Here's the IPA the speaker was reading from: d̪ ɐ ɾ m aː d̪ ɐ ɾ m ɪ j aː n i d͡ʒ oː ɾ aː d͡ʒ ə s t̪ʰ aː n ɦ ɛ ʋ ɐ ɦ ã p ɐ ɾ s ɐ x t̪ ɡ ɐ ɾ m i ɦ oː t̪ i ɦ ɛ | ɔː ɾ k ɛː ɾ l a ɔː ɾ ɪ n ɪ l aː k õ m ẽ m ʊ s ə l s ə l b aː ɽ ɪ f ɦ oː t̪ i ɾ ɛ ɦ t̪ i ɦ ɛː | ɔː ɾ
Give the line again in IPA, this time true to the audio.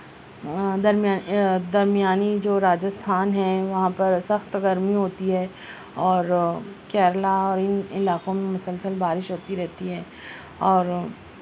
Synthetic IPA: d̪ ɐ ɾ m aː d̪ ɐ ɾ m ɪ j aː n i d͡ʒ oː ɾ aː d͡ʒ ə s t̪ʰ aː n ɦ ɛ ʋ ɐ ɦ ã p ɐ ɾ s ɐ x t̪ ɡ ɐ ɾ m i ɦ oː t̪ i ɦ ɛ | ɔː ɾ k ɛː ɾ l a ɔː ɾ ɪ n ɪ l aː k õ m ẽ m ʊ s ə l s ə l b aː ɾ ɪ ʃ ɦ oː t̪ i ɾ ɛ ɦ t̪ i ɦ ɛː | ɔː ɾ